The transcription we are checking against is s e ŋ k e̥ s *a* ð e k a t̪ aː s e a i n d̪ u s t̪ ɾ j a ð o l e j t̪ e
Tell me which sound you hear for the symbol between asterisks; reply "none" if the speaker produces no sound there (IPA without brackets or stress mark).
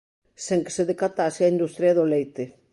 e